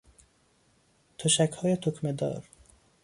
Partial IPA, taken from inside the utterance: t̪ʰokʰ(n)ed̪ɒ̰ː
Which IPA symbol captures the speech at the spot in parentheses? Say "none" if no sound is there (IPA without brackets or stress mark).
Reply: m